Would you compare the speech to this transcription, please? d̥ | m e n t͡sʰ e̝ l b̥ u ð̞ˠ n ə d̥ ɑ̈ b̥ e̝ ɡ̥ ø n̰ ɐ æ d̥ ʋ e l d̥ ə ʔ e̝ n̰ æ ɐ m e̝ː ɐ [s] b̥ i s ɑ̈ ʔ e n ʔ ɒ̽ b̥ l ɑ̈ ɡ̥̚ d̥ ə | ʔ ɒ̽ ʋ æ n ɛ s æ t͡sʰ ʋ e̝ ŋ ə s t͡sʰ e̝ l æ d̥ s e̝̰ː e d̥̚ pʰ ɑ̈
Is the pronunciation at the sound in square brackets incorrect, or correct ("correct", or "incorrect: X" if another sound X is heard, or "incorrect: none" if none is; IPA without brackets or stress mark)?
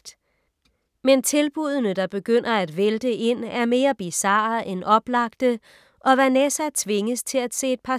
incorrect: none